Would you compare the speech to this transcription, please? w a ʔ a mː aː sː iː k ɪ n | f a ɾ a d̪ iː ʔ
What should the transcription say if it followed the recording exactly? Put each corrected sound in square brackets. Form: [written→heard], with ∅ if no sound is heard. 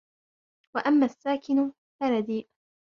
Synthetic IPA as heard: w a ʔ a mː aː sː [iː→aː] k ɪ n | f a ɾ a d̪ iː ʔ